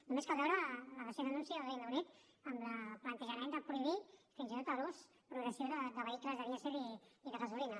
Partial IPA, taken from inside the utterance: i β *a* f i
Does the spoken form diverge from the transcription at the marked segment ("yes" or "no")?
yes